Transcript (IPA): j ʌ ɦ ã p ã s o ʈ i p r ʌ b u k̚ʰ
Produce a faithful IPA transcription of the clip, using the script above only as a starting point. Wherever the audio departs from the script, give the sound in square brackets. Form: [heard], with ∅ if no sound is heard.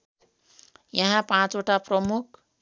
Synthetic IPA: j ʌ ɦ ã p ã [t͡s] o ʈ [a] p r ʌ [m] u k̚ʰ